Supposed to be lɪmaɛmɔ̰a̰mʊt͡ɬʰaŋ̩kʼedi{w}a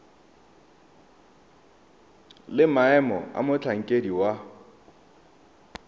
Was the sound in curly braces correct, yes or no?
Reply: yes